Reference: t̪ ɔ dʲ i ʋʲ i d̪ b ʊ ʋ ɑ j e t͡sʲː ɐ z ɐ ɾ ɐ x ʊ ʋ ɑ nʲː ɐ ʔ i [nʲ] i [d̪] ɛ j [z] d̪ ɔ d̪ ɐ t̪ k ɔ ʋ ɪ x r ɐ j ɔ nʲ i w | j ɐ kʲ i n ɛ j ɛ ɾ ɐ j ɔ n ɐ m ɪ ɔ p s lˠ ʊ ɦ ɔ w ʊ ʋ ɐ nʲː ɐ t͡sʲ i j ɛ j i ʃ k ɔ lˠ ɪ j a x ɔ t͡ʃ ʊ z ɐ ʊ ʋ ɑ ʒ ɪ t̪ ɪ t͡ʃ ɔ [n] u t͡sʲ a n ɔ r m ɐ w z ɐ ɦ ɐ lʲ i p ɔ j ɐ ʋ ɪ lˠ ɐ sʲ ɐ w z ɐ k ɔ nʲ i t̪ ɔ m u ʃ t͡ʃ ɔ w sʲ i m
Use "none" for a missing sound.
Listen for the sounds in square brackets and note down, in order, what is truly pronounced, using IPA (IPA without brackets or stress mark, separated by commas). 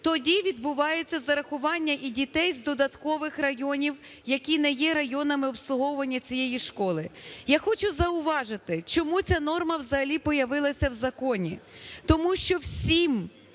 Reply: dʲ, t̪, z, m